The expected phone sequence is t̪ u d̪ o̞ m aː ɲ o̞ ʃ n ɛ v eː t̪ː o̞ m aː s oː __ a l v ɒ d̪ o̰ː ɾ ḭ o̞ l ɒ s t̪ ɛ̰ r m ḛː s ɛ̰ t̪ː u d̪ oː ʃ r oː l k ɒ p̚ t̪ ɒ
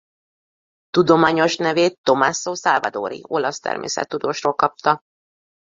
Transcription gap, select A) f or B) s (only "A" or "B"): B